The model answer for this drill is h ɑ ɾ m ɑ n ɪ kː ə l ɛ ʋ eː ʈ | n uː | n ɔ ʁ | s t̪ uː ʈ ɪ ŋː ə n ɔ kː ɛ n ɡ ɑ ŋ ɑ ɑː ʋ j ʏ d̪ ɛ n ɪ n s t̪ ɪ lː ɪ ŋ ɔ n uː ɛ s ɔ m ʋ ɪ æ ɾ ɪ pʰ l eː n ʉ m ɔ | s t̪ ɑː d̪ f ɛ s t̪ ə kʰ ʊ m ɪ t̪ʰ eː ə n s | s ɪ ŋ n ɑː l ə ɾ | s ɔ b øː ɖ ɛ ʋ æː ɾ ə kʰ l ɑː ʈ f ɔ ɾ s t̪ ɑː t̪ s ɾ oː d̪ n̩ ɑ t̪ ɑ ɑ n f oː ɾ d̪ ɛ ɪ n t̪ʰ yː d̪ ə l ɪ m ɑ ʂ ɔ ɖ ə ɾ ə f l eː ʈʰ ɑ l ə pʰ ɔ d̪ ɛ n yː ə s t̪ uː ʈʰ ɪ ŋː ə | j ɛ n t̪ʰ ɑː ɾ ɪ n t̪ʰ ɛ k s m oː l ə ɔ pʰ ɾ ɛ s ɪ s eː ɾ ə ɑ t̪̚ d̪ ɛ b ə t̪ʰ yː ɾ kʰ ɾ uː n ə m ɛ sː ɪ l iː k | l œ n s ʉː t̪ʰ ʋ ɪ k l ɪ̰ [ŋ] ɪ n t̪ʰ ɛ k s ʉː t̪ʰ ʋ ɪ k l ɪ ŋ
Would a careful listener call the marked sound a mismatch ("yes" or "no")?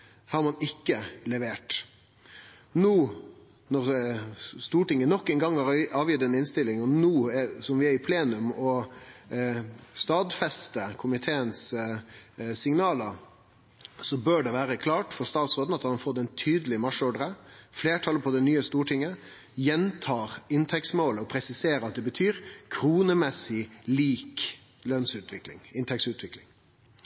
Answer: no